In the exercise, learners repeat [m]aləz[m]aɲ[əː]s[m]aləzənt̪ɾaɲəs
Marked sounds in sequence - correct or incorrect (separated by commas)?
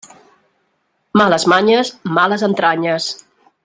correct, correct, incorrect, correct